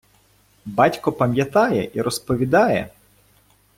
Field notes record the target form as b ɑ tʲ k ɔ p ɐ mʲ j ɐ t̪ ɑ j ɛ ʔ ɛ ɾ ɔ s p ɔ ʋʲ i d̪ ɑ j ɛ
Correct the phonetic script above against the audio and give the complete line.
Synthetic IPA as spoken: b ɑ tʲ k ɔ p ɐ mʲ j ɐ t̪ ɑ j ɛ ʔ i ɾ ɔ s p ɔ ʋʲ i d̪ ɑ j ɛ